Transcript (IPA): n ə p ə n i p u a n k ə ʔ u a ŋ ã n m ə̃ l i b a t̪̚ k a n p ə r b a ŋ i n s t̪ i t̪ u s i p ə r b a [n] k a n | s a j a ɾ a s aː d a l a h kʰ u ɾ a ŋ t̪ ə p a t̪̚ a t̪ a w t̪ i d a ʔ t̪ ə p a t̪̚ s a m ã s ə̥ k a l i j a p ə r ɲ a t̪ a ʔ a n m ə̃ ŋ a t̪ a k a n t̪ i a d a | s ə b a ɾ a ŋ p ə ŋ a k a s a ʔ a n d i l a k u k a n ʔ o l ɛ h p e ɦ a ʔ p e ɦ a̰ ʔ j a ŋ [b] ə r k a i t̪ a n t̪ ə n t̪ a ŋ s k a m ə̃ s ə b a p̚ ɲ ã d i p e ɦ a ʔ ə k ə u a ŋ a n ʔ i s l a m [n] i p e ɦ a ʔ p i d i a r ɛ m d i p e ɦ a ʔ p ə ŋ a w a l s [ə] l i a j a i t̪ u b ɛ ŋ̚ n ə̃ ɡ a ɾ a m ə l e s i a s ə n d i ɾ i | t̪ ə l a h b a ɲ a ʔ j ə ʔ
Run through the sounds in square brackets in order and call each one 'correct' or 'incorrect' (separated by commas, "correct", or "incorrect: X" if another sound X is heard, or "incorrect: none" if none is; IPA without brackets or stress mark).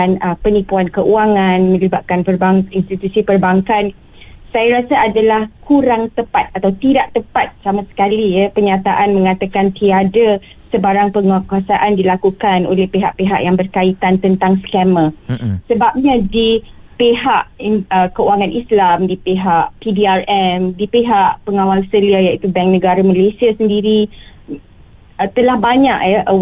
incorrect: ŋ, correct, incorrect: d, correct